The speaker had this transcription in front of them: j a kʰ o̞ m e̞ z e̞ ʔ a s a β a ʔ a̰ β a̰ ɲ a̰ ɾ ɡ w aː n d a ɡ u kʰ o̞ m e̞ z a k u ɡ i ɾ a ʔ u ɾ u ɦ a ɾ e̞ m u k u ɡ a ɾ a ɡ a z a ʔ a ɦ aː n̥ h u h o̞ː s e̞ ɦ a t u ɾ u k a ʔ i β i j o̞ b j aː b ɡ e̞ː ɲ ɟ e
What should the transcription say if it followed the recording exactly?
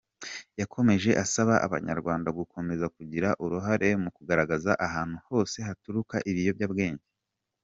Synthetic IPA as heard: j a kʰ o̞ m e̞ ʒ e̞ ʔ a s a β a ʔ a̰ β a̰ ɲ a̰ ɾ ɡ w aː n d a ɡ u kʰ o̞ m e̞ z a k u ɟ i ɾ a ʔ u ɾ u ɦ a ɾ e̞ m u k u ɡ a ɾ a ɡ a z a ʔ a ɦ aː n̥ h u h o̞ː s e̞ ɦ a t u ɾ u k a ʔ i β i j o̞ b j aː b ɡ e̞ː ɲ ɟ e

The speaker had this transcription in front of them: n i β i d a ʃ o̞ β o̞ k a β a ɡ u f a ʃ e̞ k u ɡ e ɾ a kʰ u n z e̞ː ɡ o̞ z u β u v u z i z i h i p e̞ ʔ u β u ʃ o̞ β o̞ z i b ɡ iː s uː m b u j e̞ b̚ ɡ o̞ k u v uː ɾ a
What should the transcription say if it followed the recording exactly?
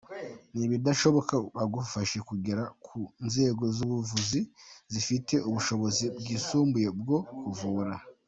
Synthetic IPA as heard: n i β i d a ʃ o̞ β o̞ k a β a ɡ u f a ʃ e̞ k u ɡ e ɾ a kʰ u n z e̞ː ɡ o̞ z u β u v u z i z i f i t e̞ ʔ u β u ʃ o̞ β o̞ z i b ɡ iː s uː m b u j e̞ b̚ ɡ o̞ k u v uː ɾ a

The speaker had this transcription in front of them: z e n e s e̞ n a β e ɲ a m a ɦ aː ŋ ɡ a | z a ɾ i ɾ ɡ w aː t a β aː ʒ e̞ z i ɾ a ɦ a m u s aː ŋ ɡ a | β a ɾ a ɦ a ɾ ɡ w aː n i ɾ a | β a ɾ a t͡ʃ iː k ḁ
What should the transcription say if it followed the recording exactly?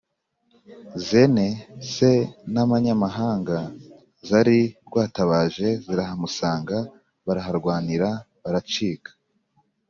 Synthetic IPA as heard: z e n e s e̞ n a β a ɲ a m a ɦ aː ŋ ɡ a | z a ɾ i ɾ ɡ w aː t a β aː ʒ e̞ z i ɾ a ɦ a m u s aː ŋ ɡ a | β a ɾ a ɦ a ɾ ɡ w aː n i ɾ a | β a ɾ a t͡ʃ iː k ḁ

